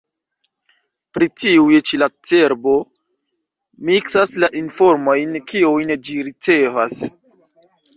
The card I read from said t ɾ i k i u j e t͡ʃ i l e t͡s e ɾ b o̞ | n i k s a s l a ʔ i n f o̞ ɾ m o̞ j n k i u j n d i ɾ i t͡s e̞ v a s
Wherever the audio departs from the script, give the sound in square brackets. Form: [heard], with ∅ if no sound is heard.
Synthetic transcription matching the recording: [p] ɾ i [t] i u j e t͡ʃ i l [a] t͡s e ɾ b o̞ | [m] i k s a s l a ʔ i n f o̞ ɾ m o̞ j n k i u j n [d͡ʒ] i ɾ i t͡s e̞ v a s